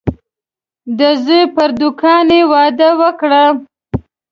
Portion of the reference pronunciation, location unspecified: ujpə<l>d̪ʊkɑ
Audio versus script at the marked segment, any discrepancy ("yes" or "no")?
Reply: yes